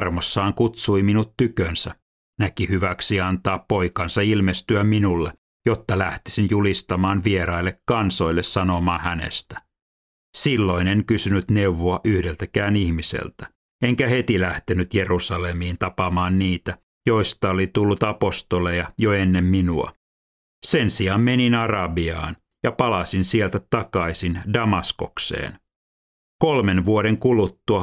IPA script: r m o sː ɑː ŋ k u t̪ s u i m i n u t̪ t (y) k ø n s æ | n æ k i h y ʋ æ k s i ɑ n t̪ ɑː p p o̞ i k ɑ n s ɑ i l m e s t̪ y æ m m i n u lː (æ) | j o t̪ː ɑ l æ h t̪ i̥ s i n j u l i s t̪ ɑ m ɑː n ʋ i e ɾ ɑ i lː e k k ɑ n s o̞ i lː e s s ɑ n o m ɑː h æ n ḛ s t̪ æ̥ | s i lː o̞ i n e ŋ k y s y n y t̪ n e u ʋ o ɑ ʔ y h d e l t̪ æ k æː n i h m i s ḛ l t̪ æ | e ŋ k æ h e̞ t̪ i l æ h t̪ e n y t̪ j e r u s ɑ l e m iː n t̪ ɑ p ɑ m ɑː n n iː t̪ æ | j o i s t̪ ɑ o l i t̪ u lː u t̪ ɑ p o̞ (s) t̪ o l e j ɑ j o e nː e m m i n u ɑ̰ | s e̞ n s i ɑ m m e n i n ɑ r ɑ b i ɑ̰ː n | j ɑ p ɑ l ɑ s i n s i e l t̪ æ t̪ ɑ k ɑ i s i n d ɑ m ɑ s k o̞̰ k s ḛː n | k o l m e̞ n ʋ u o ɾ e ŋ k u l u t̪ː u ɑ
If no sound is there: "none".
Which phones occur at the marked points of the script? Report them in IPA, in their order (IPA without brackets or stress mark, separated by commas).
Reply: y, e, s